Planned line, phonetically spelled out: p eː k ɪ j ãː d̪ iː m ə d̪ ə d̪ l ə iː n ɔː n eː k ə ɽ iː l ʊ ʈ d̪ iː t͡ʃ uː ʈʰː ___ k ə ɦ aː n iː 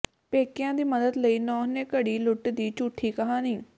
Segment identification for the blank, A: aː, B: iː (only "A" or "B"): B